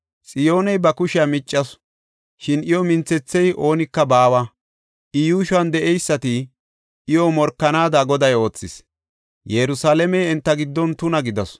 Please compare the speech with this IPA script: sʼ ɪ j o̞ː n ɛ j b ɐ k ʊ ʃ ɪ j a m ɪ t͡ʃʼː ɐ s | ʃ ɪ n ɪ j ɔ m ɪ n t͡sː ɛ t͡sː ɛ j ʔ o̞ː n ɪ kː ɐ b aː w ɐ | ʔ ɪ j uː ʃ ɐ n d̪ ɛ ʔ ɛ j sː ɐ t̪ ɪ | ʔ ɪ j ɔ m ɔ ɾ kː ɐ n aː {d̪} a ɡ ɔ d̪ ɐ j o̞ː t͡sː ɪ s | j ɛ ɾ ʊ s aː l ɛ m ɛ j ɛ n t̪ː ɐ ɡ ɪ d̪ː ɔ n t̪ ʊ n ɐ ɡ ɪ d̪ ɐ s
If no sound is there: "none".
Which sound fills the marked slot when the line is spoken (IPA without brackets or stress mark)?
d̪